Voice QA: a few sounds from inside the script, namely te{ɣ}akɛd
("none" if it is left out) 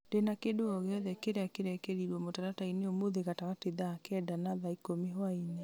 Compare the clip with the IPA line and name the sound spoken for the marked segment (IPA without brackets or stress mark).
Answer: ð